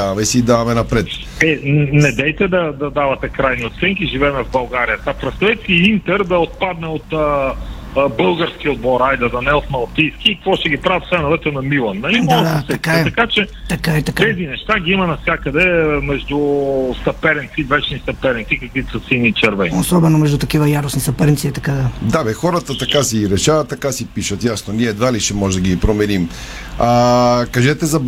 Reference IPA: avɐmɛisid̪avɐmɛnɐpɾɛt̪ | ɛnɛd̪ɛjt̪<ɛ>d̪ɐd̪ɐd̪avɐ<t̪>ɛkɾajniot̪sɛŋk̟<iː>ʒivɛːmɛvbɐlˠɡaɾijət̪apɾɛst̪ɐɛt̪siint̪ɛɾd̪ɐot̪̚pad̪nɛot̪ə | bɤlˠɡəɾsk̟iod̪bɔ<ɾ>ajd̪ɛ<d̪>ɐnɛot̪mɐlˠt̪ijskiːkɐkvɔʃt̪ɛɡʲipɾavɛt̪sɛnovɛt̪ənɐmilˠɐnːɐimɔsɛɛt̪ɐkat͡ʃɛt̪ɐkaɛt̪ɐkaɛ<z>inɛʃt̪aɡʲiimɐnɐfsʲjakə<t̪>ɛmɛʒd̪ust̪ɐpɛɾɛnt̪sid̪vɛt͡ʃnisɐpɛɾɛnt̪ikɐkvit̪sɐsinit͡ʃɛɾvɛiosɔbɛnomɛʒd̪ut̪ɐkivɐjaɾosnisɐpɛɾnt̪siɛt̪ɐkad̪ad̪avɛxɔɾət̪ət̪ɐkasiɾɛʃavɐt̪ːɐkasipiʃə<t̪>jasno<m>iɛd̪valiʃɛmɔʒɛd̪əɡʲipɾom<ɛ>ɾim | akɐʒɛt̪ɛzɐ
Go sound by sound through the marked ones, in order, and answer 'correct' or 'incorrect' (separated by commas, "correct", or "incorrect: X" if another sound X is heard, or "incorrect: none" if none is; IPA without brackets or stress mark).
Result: correct, correct, incorrect: i, correct, correct, correct, incorrect: d̪, correct, incorrect: n, correct